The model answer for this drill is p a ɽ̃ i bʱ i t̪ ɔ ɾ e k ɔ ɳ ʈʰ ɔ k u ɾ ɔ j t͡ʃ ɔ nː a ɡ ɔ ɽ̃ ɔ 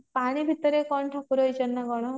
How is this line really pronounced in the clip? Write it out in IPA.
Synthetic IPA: p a ɽ̃ i bʱ i t̪ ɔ ɾ e k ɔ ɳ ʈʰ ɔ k u ɾ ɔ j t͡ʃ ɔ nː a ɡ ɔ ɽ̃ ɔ